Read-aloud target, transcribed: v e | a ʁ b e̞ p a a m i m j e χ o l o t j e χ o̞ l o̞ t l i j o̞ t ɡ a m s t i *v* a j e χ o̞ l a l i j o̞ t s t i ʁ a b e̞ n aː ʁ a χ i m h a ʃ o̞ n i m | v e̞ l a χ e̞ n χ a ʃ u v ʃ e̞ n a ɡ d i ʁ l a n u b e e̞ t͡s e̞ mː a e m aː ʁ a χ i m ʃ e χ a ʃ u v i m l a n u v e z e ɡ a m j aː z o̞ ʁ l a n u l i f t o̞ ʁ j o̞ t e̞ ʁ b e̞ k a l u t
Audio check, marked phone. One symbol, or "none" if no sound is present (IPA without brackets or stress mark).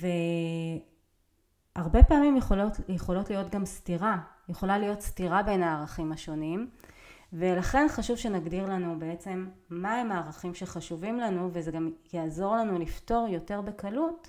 ʁ